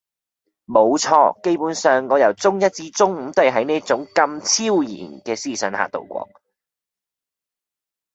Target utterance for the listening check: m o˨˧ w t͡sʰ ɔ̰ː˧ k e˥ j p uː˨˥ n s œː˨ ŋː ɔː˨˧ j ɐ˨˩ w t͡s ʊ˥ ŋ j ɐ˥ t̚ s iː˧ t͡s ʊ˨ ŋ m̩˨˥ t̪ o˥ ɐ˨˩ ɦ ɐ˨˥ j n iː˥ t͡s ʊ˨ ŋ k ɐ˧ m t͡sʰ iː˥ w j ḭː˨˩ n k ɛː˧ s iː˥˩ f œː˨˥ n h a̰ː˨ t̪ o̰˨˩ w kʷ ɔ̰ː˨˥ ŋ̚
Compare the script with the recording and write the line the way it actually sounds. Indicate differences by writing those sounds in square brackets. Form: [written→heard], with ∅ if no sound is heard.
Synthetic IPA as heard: m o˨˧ w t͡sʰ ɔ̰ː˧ k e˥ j p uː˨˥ n s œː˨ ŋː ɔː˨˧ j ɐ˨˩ w t͡s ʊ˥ ŋ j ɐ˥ t̚ [s→t͡s] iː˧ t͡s [ʊ˨→ʊ˥] ŋ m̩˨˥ t̪ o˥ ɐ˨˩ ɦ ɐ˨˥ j n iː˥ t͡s [ʊ˨→ʊ˨˥] ŋ k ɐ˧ m t͡sʰ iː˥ w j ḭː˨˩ n k ɛː˧ s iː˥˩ [f→s] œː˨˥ n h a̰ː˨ t̪ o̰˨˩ w kʷ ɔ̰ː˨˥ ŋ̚